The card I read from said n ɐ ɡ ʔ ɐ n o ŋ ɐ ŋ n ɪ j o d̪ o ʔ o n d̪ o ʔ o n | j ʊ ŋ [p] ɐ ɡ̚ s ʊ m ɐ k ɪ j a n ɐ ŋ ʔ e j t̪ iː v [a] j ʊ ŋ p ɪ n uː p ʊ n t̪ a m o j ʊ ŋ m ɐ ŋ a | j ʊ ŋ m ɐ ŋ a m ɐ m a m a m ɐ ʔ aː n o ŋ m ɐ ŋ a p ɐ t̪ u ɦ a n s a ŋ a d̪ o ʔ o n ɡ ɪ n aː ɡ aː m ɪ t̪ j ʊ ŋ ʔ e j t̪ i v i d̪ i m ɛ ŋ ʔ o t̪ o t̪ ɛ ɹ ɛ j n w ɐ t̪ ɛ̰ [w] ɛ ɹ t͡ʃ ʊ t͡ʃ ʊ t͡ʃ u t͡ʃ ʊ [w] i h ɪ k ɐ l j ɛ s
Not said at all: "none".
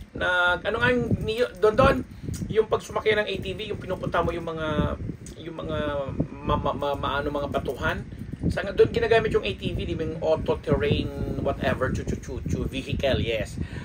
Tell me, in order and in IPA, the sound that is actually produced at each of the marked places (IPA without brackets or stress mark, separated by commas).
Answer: p, i, v, v